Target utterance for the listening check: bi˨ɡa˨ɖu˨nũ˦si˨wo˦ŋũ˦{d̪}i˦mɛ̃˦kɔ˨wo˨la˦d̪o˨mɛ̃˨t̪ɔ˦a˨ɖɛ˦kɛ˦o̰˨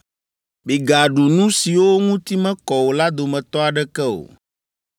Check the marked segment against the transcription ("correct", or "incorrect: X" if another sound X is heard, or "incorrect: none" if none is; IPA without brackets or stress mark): incorrect: t̪